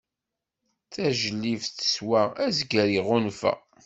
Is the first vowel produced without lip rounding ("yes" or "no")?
yes